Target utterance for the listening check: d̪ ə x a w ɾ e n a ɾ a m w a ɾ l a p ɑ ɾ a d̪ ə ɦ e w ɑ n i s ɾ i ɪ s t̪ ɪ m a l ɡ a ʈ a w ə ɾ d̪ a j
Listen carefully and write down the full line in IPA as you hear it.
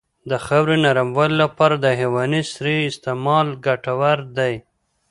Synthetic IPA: d̪ ə x a w ɾ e n a ɾ a m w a l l a p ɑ ɾ a d̪ ə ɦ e w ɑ n i s ɾ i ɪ s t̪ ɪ m ɑ l ɡ a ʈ a w a ɾ d̪ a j